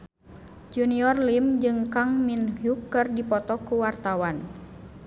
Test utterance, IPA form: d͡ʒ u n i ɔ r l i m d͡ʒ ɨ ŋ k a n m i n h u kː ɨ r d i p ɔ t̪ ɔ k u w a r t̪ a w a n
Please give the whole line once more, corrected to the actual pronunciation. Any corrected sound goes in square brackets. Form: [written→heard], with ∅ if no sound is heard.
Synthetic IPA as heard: d͡ʒ u n i ɔ r l i m d͡ʒ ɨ ŋ k a [n→ŋ] m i n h u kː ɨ r d i p ɔ t̪ ɔ k u w a r t̪ a w a n